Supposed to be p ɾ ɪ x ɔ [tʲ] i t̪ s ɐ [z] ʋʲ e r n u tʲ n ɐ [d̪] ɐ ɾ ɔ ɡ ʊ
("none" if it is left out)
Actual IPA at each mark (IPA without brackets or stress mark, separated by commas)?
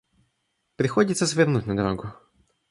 dʲ, z, d̪